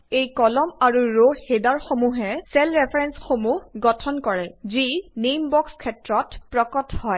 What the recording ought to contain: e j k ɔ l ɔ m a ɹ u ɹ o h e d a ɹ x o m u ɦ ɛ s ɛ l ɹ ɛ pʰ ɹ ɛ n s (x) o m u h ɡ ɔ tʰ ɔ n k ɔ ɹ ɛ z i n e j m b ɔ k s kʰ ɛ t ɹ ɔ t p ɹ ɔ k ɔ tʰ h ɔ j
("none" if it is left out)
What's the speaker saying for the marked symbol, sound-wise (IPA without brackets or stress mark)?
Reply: x